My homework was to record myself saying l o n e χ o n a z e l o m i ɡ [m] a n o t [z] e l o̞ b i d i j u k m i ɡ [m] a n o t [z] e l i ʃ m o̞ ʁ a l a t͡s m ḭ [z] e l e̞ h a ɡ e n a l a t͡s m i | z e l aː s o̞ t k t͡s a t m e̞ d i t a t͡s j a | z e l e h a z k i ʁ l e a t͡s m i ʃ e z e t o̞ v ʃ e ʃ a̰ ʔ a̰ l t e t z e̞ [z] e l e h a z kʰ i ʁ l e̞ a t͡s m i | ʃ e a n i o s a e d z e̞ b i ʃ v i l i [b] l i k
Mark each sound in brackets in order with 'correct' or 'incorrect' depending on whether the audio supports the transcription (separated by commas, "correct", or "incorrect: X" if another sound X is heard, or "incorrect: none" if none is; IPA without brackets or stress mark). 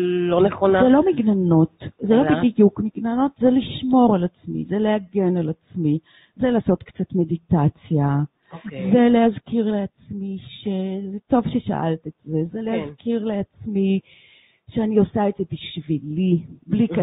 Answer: incorrect: n, correct, incorrect: n, correct, correct, correct, correct